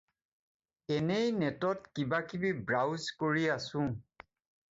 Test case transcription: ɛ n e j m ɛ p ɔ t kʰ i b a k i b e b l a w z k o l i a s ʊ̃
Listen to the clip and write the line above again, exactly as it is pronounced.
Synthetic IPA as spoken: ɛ n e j n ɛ t ɔ t k i b a k i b i b ɹ a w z k o ɹ i a s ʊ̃